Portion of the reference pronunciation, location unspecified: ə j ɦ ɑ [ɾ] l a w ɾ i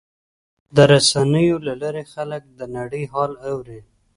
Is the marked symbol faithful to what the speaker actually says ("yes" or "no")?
no